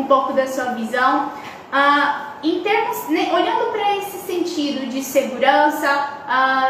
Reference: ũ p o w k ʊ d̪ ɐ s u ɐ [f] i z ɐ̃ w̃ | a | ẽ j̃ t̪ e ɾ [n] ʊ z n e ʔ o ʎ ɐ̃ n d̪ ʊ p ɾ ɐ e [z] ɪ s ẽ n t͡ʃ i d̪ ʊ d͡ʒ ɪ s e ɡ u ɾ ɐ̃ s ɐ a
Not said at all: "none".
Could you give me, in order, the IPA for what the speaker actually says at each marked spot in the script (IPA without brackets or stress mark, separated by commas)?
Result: v, m, s